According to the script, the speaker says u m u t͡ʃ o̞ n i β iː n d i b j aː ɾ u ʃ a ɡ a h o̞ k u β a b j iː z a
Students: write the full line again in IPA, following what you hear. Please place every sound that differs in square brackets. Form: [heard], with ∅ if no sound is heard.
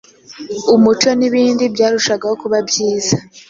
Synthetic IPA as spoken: u m u t͡ʃ o̞ n i β iː n d i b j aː ɾ u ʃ a ɡ a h o̞ k u β a b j iː z a